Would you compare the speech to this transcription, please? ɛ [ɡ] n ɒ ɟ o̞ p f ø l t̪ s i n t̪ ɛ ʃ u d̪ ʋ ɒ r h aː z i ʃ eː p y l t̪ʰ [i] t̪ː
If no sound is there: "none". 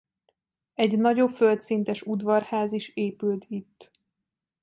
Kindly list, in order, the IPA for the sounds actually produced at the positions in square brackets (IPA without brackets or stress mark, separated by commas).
ɟ, i